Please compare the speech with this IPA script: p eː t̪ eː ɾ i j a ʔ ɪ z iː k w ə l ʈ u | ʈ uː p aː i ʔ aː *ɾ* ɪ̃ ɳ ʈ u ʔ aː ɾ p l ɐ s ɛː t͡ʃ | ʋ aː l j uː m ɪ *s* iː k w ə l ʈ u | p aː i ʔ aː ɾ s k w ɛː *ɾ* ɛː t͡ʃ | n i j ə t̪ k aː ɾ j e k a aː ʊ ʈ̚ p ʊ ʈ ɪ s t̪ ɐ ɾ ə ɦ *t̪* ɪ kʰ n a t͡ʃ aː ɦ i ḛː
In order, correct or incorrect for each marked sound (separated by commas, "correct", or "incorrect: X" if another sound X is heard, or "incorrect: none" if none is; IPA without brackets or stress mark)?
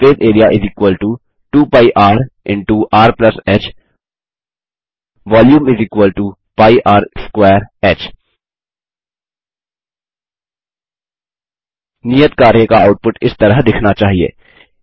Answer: correct, incorrect: z, correct, incorrect: d̪